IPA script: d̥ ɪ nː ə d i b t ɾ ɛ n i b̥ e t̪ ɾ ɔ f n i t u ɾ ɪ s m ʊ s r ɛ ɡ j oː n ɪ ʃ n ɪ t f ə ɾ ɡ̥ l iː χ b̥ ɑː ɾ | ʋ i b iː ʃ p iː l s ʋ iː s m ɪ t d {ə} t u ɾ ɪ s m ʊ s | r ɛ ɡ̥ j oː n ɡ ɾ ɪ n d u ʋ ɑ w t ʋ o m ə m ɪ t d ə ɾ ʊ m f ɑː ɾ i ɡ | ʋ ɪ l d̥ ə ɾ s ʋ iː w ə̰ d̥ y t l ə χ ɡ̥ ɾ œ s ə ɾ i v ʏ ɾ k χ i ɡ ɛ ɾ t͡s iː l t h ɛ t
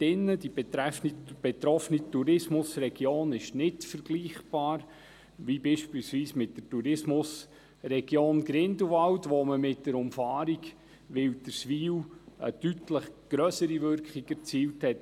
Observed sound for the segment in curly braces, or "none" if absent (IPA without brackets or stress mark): ə